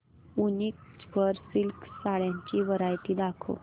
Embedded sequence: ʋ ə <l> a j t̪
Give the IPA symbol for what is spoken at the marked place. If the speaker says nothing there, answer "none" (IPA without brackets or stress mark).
ɾ